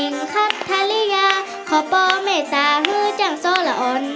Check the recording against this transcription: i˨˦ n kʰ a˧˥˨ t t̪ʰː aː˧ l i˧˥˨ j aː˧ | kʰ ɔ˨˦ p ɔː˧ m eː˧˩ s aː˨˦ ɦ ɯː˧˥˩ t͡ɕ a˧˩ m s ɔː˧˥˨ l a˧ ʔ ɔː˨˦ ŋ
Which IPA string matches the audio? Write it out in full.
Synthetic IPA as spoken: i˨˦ ŋ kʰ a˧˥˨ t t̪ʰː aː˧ l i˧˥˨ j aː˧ | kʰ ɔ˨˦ p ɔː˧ m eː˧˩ s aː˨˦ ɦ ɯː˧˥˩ t͡ɕ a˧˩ ŋ s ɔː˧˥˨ l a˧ ʔ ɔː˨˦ n